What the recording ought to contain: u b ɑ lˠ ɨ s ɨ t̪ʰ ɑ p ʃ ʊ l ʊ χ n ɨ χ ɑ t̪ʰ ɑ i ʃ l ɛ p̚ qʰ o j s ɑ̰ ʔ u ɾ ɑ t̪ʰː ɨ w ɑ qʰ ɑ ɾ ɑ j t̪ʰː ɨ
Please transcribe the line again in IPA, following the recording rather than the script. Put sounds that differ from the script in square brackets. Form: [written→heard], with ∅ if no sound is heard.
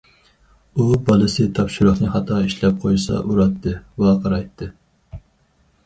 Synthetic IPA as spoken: u b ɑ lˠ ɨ s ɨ t̪ʰ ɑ p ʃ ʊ [l→ɾ] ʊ χ n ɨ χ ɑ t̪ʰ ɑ i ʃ l ɛ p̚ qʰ o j s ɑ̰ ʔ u ɾ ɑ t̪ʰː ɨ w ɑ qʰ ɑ ɾ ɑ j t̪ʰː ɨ